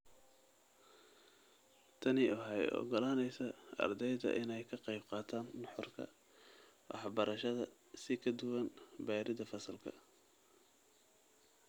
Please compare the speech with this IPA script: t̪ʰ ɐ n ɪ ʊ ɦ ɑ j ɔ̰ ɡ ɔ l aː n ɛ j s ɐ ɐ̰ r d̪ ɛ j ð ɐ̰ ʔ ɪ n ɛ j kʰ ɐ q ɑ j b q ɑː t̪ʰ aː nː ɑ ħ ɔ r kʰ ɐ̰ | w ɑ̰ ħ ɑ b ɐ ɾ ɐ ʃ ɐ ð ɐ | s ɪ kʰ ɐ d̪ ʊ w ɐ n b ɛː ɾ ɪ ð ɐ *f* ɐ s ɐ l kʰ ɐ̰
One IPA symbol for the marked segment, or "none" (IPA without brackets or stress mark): f